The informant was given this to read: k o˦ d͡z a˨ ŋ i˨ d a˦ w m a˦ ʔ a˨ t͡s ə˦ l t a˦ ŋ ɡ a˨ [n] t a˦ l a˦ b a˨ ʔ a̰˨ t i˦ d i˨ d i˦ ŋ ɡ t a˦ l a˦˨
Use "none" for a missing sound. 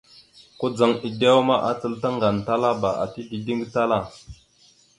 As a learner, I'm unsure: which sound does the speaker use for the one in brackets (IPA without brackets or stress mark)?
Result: n